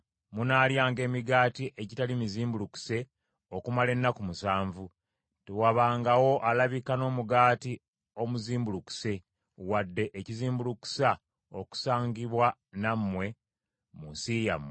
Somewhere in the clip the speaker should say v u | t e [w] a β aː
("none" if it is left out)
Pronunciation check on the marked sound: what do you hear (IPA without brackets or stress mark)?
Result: w